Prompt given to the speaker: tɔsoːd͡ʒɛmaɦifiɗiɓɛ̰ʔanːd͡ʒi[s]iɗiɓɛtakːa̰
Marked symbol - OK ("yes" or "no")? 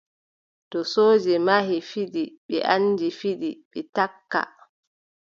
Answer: no